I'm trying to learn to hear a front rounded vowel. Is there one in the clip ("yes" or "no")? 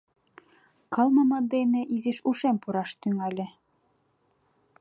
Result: yes